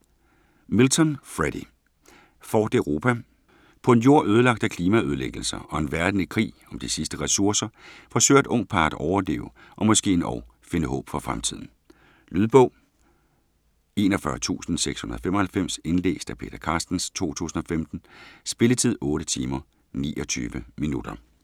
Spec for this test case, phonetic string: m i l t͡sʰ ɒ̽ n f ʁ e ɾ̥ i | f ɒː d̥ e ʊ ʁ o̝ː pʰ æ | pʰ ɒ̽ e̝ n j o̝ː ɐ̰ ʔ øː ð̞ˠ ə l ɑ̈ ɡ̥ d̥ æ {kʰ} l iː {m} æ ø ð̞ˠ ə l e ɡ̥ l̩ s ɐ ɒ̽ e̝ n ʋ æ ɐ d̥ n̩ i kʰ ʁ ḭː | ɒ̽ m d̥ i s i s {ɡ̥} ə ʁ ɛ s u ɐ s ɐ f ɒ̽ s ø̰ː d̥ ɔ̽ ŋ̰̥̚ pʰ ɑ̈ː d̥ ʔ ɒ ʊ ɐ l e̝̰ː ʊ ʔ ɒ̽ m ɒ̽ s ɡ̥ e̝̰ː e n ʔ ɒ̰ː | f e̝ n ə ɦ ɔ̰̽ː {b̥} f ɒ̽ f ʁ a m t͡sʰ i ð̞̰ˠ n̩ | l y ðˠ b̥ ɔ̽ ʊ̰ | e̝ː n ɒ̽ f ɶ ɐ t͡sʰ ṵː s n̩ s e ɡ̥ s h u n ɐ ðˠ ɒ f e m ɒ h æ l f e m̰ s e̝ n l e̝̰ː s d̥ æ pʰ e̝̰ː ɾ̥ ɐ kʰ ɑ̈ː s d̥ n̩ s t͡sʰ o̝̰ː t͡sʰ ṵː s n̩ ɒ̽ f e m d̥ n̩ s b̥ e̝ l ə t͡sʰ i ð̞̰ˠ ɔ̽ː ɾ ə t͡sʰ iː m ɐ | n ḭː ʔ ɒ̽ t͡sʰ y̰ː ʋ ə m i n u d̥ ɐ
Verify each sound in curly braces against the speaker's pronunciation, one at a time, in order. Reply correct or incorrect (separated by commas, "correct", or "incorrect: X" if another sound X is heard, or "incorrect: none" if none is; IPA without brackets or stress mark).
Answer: correct, correct, incorrect: d̥, correct